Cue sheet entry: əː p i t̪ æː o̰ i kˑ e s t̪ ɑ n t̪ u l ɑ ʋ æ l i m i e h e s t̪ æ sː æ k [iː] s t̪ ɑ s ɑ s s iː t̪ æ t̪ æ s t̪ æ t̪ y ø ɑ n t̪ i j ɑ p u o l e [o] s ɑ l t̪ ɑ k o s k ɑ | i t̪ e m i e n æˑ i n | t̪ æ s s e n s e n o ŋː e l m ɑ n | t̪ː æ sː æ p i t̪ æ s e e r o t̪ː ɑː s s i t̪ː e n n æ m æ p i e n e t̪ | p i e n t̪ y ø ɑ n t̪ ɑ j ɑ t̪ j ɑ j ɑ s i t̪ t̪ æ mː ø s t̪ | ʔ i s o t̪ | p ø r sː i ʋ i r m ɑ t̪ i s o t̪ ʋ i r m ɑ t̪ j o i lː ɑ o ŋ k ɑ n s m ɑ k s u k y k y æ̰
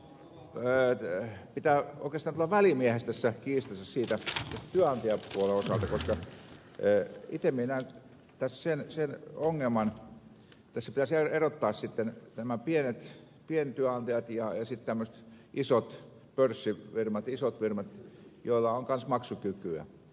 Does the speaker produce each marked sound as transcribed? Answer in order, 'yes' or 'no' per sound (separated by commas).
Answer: yes, yes